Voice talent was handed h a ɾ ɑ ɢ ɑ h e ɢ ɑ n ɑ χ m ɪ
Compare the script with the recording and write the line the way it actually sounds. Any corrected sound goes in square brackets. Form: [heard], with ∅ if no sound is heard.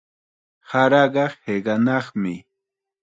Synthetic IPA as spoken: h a ɾ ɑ ɢ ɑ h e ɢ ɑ n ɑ χ m ɪ